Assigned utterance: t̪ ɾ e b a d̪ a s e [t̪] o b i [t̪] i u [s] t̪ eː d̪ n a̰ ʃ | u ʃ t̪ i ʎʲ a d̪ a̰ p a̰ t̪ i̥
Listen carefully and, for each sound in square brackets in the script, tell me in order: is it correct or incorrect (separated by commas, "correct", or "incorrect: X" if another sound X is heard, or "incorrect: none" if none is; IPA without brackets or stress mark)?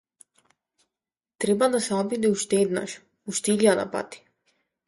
incorrect: none, incorrect: d̪, incorrect: ʃ